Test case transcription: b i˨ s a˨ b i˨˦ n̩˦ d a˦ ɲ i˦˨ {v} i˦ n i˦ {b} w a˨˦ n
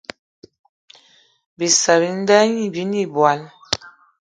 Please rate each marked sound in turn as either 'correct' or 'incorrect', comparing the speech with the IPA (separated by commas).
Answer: incorrect, correct